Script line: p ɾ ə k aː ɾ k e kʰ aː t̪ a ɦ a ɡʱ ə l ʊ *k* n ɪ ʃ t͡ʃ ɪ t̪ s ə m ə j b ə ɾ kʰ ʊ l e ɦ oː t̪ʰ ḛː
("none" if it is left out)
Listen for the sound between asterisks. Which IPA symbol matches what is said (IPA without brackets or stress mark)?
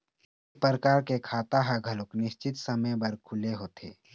k